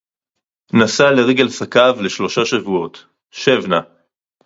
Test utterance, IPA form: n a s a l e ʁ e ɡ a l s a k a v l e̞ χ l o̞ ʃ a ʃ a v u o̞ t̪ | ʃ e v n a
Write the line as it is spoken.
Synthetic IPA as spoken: n a s a l e ʁ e ɡ e l s a k a v l e̞ ʃ l o̞ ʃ a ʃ a v u o̞ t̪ | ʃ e v n a